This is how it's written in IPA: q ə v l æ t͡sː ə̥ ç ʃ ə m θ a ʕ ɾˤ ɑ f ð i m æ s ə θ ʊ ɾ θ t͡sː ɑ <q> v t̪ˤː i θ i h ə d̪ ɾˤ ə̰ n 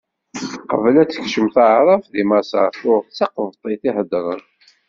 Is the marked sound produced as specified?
yes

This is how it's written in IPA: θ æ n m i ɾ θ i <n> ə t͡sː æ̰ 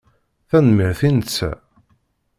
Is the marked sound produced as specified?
yes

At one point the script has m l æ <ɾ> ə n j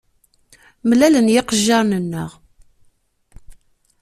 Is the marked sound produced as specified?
no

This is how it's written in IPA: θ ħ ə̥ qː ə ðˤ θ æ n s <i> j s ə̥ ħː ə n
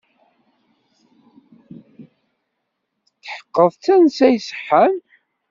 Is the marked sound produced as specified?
no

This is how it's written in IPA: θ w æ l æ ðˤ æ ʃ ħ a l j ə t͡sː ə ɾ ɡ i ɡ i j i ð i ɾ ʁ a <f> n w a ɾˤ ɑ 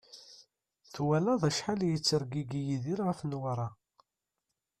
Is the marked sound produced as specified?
yes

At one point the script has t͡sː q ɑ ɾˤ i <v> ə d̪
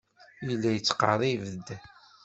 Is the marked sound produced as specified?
yes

